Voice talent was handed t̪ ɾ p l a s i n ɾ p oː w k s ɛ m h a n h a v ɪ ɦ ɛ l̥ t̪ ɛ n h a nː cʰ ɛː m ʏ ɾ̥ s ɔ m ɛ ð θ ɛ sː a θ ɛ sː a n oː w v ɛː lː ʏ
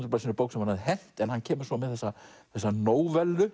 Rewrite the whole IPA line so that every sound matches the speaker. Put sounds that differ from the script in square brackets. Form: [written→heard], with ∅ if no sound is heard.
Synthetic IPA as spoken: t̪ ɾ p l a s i n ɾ p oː w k s ɛ m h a n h a [v→ð] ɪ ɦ ɛ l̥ t̪ ɛ n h a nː cʰ ɛː m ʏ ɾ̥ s ɔ m ɛ ð θ ɛ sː a θ ɛ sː a n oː w v [ɛː→ɛ] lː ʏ